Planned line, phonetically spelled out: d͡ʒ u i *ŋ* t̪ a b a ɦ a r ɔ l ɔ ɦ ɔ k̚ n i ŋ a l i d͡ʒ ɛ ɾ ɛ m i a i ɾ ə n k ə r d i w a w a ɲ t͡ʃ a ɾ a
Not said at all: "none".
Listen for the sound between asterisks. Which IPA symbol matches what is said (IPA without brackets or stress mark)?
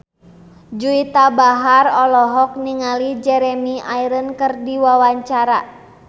none